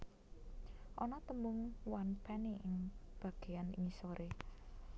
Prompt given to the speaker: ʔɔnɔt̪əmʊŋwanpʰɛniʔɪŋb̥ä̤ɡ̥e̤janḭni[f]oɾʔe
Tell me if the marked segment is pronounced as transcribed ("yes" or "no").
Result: no